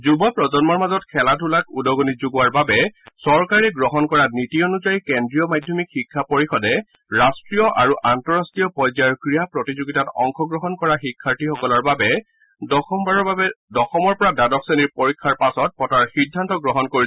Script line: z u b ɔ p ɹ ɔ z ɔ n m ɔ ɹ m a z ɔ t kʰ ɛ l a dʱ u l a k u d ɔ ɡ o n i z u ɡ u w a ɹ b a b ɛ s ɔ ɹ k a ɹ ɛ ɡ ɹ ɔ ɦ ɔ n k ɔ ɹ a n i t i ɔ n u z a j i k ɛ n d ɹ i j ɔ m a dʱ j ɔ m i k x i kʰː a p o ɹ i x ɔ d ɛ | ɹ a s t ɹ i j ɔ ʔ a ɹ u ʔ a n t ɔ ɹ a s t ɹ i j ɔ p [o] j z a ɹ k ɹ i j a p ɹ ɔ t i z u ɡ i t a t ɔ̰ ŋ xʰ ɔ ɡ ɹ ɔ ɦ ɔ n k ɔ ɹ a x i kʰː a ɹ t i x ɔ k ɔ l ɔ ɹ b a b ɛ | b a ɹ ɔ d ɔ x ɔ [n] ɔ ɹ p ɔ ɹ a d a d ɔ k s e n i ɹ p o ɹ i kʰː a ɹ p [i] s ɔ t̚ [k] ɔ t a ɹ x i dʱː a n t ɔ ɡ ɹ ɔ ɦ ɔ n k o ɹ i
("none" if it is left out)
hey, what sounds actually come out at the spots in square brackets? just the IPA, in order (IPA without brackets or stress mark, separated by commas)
ɔ, m, a, p